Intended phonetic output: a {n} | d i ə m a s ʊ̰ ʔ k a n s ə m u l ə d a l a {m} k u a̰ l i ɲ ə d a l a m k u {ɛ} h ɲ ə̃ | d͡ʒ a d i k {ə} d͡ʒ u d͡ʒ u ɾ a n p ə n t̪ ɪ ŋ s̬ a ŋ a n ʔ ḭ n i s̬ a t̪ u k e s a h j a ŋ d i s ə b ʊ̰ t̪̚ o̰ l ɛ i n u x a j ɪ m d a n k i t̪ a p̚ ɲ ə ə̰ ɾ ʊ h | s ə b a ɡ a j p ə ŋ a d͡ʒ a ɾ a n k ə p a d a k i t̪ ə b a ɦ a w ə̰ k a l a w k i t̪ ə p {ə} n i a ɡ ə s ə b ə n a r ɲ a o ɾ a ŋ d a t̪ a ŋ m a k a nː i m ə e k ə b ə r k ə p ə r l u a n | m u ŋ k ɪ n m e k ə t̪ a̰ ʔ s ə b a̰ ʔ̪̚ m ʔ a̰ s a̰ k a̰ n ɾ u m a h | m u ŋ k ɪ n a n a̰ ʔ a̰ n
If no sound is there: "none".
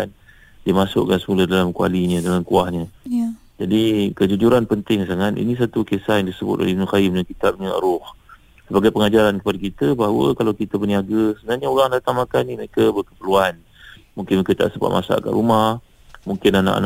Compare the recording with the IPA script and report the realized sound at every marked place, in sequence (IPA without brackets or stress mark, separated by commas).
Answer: n, m, a, ə, ə